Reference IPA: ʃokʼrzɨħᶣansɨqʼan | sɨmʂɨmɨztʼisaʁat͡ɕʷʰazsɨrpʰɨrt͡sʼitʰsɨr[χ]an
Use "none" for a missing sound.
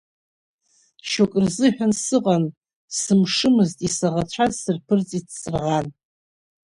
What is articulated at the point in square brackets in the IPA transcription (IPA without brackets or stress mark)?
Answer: ʁ